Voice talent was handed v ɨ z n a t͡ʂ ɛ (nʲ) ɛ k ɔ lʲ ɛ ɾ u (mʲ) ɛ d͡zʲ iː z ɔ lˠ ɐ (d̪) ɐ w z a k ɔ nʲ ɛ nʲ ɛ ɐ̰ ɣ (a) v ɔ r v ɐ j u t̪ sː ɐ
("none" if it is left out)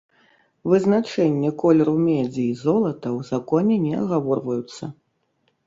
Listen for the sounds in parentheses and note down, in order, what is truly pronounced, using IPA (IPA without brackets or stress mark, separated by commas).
nʲː, mʲ, t̪, a